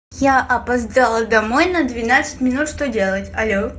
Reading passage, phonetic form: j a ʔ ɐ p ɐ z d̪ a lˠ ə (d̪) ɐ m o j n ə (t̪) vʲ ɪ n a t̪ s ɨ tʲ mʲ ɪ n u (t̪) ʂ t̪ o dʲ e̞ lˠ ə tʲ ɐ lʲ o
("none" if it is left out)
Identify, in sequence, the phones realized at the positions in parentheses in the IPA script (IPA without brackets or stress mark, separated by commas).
d̪, d̪, t̪